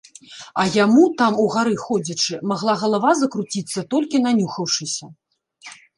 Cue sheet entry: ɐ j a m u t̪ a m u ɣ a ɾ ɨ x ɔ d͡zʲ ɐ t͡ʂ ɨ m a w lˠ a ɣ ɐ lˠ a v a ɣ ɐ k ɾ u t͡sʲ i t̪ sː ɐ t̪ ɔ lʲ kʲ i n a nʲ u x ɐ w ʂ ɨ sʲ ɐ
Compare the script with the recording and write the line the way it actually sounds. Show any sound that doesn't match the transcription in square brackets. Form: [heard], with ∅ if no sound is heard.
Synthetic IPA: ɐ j a m u t̪ a m u ɣ a ɾ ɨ x ɔ d͡zʲ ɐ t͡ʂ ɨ m a [ɣ] lˠ a ɣ ɐ lˠ a v a [z] ɐ k ɾ u t͡sʲ i t̪ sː ɐ t̪ ɔ lʲ kʲ i n a nʲ u x ɐ w ʂ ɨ sʲ ɐ